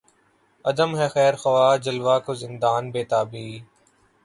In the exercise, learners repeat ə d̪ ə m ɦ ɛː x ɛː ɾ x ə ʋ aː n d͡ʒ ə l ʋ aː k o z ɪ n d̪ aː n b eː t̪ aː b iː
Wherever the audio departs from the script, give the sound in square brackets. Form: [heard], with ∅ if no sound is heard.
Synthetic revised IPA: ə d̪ ə m ɦ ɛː x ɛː ɾ x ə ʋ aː [∅] d͡ʒ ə l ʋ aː k o z ɪ n d̪ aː n b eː t̪ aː b iː